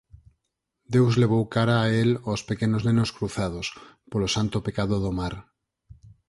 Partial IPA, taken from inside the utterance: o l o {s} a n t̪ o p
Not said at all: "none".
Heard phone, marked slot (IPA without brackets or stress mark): s